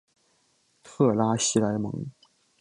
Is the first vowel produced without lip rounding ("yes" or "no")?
yes